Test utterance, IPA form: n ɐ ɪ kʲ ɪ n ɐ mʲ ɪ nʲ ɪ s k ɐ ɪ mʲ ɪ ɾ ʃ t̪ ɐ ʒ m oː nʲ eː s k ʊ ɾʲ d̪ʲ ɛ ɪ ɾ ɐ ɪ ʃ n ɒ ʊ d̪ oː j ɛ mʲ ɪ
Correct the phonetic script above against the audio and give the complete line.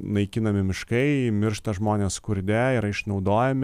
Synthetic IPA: n ɐ ɪ kʲ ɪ n ɐ mʲ ɪ mʲ ɪ ʃ k ɐ ɪ mʲ ɪ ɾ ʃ t̪ ɐ ʒ m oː nʲ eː s k ʊ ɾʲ d̪ʲ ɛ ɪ ɾ ɐ ɪ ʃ n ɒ ʊ d̪ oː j ɛ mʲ ɪ